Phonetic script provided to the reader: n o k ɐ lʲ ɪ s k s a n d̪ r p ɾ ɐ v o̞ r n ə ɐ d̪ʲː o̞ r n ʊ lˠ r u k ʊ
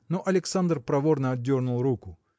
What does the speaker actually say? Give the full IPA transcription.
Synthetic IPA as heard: n o ʔ ɐ lʲ ɪ k s a n d̪ r p ɾ ɐ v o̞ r n ə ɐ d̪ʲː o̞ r n ʊ lˠ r u k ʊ